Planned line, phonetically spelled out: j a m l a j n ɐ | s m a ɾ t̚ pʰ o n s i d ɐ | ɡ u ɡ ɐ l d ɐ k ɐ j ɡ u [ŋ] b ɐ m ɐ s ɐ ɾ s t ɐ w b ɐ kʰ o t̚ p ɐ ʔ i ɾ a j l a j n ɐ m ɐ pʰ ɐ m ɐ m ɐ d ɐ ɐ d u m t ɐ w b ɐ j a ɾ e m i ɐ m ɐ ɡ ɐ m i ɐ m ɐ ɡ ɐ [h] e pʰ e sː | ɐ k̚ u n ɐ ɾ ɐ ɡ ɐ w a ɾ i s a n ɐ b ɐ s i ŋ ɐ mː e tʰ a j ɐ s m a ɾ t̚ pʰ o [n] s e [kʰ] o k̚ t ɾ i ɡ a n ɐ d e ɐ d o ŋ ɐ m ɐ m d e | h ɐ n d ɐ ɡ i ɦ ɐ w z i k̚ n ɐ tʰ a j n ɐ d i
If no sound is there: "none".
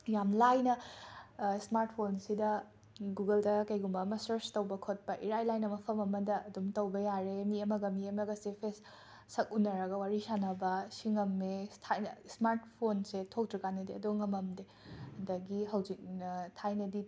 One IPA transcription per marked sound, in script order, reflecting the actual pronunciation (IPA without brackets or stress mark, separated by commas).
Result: m, s, n, tʰ